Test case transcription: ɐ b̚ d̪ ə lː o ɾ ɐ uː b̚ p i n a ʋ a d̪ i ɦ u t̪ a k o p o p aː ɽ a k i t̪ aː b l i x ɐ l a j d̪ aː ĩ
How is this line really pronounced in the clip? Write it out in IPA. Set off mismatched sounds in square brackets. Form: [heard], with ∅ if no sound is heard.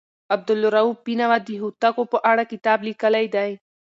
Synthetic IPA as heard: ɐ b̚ d̪ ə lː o ɾ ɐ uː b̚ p i n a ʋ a d̪ i ɦ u t̪ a k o p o [ʔ] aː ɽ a k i t̪ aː b l i [k] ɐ l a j d̪ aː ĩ